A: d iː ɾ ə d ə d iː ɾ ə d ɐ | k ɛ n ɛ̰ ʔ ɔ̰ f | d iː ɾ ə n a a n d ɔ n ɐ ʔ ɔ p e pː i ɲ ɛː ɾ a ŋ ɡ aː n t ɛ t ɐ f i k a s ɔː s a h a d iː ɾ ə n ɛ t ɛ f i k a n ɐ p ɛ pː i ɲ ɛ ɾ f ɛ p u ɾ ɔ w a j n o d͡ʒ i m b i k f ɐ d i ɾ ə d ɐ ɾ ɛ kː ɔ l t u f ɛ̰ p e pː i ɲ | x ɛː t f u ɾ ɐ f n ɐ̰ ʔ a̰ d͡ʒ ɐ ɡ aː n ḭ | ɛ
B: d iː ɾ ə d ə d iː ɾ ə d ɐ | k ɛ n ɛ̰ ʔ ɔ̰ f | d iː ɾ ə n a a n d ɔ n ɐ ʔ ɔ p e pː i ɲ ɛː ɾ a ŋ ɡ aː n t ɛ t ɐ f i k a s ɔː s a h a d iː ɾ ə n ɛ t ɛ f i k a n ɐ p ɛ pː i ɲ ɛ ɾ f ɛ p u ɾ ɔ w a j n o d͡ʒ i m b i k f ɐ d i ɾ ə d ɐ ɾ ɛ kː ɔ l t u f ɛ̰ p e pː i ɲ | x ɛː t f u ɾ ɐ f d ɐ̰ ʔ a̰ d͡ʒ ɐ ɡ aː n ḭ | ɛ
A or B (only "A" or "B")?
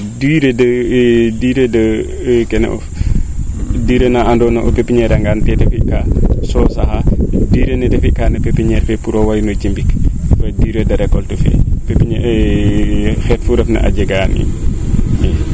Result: A